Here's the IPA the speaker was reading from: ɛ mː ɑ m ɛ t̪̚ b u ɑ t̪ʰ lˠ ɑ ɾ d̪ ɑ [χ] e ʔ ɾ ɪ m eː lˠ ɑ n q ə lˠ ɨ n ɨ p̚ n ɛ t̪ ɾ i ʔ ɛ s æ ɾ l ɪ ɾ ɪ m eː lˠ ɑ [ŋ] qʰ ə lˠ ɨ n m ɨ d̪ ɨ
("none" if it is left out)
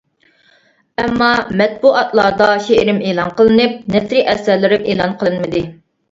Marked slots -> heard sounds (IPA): ʃ, n

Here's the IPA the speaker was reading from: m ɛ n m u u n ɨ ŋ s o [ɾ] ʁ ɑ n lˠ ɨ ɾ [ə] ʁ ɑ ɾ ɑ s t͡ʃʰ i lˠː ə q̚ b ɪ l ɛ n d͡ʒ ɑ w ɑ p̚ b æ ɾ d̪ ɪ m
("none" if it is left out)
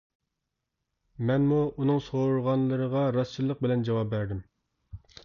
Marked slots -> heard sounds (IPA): ɾ, ə

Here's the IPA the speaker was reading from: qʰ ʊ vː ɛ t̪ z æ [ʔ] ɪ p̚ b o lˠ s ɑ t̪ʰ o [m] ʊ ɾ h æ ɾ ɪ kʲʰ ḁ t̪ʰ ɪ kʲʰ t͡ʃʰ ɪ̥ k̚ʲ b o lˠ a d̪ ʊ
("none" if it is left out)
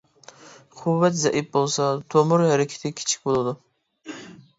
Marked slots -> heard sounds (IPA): ʔ, m

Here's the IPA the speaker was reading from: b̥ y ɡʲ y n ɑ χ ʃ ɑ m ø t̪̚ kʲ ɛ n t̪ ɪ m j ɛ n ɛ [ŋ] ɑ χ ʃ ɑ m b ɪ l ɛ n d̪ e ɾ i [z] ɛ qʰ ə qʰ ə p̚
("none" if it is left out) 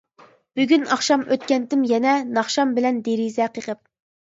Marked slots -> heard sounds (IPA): n, z

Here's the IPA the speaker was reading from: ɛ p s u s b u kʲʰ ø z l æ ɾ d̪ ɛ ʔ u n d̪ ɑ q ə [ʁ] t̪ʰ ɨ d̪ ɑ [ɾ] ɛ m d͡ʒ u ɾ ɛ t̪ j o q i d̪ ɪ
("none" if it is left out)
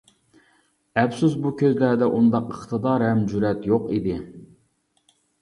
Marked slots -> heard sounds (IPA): χ, ɾ

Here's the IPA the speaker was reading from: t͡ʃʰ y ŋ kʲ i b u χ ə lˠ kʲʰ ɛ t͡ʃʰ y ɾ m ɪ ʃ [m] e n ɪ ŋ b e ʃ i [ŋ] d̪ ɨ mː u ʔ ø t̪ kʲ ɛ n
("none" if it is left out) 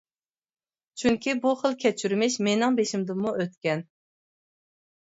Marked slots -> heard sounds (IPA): m, m

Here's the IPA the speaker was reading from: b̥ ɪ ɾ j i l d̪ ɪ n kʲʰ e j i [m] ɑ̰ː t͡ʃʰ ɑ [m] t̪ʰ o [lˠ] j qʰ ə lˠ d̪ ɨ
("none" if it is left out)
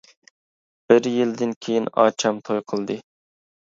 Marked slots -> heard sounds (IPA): n, m, none

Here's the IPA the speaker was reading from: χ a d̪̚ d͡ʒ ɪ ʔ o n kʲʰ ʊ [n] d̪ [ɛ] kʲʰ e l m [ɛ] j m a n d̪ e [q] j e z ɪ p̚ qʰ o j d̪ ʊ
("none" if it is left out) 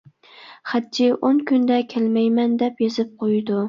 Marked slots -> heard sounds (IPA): n, a, a, p

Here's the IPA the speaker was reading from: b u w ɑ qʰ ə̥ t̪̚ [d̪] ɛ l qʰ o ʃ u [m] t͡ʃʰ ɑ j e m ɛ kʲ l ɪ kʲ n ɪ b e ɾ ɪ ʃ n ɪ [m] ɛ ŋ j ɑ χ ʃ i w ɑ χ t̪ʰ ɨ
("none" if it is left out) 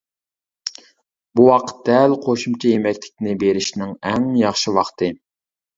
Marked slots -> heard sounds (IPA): d̪, m, ŋ

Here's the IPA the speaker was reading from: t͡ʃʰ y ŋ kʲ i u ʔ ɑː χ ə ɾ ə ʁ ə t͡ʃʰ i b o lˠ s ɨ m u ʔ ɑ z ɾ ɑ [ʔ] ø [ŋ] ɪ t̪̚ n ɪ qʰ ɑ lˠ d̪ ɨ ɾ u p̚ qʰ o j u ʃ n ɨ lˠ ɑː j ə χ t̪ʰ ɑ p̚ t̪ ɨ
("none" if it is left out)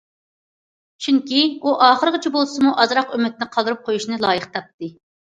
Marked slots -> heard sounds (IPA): q, m

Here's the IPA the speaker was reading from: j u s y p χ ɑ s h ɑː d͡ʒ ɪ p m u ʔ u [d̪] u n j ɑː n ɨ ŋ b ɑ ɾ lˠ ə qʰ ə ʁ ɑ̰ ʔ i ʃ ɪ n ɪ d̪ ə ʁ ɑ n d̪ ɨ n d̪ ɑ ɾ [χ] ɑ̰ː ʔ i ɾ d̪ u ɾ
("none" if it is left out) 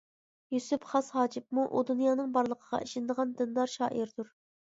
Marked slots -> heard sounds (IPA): d̪, ʃ

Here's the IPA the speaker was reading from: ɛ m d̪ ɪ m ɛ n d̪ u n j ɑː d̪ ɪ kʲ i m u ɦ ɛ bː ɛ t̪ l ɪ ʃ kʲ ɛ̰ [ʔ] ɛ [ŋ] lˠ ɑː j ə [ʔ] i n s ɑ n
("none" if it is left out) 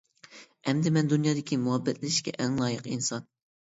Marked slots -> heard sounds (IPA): ʔ, ŋ, q

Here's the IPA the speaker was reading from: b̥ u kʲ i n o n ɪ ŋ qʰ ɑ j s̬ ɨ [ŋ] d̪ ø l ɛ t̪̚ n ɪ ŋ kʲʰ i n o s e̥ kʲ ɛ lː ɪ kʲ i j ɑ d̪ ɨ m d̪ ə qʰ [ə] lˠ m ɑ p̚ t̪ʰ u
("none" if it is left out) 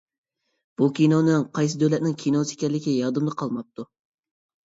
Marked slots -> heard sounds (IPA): none, ɑ

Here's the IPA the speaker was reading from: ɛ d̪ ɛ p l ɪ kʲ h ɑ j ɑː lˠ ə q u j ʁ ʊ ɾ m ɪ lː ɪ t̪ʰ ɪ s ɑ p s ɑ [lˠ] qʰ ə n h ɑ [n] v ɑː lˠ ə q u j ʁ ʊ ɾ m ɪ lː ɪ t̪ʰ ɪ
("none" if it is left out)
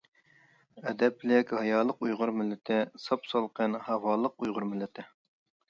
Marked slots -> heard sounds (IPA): lˠ, none

